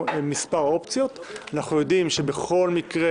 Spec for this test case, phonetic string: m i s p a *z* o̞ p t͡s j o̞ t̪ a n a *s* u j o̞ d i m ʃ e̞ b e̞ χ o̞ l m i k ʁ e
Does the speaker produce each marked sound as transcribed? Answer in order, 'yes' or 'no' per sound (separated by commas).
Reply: no, no